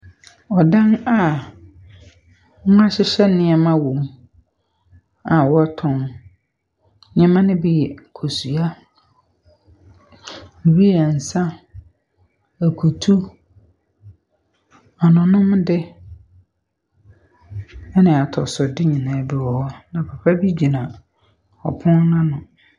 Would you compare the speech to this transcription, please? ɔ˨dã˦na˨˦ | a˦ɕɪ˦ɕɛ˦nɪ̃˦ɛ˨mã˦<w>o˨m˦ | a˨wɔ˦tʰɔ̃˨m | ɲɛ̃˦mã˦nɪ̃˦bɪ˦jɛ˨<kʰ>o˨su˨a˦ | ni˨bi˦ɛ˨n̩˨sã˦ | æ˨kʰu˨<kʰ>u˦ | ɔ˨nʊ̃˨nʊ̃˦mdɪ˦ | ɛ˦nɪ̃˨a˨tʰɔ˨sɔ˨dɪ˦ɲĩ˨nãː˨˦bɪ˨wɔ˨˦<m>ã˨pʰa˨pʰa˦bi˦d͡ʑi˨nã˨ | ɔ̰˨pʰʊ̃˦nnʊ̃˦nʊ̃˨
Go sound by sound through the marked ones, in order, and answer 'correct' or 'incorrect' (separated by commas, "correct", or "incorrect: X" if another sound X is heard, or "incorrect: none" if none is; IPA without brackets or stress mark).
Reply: correct, correct, incorrect: tʰ, incorrect: n